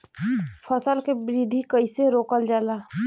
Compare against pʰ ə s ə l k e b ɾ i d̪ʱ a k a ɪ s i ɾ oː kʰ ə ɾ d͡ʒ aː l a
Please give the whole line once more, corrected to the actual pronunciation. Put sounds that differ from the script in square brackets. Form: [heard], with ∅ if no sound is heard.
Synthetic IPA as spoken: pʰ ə s ə l k e b ɾ i d̪ʱ [i] k [ə] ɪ s [e] ɾ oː [k] ə [l] d͡ʒ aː l a